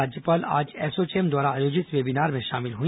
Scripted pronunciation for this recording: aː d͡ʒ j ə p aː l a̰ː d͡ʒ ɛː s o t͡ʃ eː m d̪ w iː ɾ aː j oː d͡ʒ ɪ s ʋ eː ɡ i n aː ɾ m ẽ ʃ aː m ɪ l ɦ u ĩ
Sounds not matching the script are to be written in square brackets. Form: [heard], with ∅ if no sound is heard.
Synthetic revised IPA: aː d͡ʒ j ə p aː l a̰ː d͡ʒ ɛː s o t͡ʃ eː m d̪ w [aː] ɾ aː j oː d͡ʒ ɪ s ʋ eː [b] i n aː ɾ m ẽ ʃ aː m ɪ l ɦ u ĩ